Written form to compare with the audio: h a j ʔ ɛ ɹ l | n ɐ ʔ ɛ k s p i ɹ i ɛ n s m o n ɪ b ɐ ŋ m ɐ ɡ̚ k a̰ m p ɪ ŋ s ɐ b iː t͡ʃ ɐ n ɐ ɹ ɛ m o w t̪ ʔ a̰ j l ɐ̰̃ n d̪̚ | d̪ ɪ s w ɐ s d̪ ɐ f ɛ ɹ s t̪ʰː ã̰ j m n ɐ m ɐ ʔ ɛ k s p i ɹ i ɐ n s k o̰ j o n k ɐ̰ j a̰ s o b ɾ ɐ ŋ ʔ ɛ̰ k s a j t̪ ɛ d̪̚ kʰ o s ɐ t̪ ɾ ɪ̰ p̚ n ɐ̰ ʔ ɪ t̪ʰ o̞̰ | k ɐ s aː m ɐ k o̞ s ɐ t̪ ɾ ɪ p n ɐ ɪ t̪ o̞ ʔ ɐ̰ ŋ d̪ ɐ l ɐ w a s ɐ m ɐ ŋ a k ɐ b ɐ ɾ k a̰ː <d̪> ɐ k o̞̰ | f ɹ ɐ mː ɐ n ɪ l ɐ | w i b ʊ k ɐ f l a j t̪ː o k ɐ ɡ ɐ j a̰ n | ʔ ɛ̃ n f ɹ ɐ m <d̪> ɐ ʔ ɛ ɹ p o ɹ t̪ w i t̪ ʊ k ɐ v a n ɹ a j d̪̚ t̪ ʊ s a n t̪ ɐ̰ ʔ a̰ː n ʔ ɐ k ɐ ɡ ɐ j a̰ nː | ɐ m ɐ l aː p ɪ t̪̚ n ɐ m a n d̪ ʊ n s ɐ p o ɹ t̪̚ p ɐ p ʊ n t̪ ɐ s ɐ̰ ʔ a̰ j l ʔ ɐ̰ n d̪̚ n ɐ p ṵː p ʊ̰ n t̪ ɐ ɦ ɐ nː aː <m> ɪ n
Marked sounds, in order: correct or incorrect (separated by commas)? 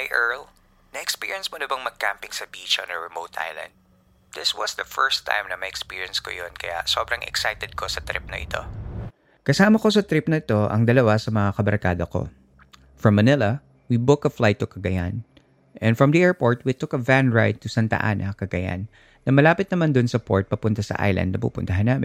correct, correct, correct